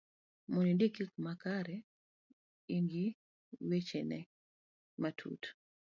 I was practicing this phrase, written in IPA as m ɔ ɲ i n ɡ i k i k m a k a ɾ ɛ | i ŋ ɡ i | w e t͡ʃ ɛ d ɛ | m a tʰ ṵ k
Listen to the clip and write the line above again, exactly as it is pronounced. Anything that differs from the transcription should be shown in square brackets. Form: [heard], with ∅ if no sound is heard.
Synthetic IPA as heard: m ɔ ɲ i n [d] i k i k m a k a ɾ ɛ | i ŋ ɡ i | w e t͡ʃ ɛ [n] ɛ | m a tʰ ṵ [t]